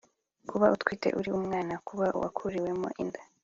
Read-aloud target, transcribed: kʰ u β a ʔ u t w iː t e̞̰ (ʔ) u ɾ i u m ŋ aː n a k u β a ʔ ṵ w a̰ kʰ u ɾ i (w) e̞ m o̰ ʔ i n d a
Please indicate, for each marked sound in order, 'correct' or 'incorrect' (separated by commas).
correct, correct